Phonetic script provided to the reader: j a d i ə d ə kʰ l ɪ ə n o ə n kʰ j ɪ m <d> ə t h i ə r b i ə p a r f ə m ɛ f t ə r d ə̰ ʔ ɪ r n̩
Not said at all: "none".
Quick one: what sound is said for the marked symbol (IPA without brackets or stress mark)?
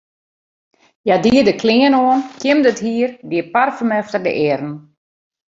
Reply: d